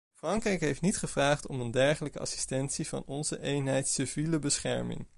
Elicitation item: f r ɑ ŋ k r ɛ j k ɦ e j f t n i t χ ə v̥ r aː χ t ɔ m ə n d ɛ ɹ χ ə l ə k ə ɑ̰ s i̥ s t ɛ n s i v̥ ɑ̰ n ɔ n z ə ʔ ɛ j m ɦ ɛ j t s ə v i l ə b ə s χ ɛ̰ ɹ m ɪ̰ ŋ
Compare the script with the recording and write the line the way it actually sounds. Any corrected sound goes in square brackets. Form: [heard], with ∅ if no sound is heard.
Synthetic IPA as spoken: f r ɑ ŋ k r ɛ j k ɦ e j f t n i t χ ə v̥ r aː χ t ɔ m ə n d ɛ ɹ χ ə l ə k ə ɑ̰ s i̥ s t ɛ n s i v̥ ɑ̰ n ɔ n z ə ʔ [e] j [n] ɦ ɛ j t s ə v i l ə b ə s χ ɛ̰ ɹ m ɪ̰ ŋ